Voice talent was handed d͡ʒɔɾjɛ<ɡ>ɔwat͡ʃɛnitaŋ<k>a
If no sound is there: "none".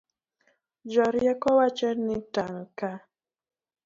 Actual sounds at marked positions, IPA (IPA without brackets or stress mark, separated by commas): k, k